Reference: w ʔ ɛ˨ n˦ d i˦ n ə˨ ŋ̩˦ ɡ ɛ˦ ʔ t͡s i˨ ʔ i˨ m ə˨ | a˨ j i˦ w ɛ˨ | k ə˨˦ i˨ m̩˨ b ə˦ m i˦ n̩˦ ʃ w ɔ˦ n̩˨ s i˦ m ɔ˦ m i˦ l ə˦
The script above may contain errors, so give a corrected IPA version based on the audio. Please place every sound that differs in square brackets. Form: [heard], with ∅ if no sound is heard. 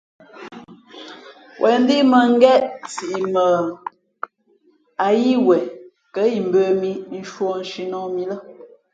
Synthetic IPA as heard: w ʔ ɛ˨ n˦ d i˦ [m] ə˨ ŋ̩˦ ɡ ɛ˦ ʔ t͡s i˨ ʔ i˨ m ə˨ | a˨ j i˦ w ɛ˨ | k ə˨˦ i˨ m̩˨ b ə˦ m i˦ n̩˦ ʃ w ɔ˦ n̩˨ [ʃ] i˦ [n] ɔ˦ m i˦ l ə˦